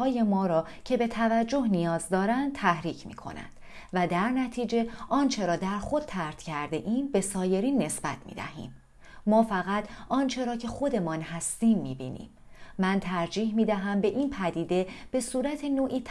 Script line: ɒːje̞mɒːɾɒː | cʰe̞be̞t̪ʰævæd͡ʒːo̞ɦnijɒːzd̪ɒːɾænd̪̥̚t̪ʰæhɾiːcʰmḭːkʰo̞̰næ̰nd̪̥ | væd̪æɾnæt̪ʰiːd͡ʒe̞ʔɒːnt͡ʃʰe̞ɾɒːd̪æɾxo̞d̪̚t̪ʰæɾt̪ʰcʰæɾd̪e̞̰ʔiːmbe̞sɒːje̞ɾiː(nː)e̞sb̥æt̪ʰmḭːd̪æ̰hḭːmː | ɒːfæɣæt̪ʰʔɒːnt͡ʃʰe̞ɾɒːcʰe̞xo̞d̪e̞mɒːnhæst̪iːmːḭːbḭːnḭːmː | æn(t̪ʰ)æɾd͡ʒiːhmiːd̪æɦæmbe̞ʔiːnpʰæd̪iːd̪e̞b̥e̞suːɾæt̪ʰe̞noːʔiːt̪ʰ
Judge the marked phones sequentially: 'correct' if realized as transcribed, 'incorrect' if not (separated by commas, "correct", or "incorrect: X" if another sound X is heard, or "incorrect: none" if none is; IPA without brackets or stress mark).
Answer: correct, correct